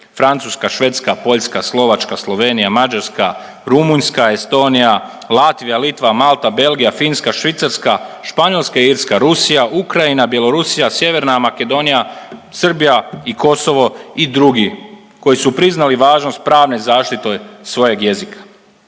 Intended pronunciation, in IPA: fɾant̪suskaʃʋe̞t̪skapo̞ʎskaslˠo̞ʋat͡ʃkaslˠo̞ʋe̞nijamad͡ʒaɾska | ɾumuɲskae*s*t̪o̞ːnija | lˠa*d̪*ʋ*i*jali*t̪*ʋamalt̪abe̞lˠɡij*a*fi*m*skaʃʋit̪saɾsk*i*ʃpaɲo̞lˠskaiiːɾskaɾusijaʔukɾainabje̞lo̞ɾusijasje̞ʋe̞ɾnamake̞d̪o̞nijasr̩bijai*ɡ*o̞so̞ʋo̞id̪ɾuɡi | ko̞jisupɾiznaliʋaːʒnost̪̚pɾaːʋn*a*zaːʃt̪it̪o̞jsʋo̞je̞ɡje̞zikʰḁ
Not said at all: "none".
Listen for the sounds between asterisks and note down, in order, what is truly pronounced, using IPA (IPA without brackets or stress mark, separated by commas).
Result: s, t̪, i, t̪, a, n, a, k, e